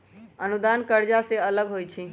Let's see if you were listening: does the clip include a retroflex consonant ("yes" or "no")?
no